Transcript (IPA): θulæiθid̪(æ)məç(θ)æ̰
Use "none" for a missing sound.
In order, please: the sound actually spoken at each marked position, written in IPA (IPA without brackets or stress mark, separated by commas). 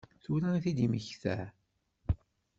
i, θ